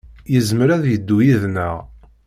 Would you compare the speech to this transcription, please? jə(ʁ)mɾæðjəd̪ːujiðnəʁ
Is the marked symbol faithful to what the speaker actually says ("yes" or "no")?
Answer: no